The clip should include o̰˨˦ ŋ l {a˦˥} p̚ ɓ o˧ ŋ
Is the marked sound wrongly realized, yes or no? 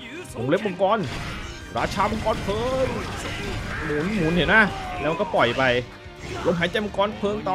yes